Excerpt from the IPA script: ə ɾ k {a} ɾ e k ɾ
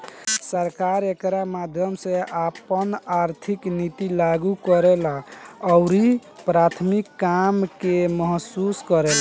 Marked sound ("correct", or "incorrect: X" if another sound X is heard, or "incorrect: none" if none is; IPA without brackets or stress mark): correct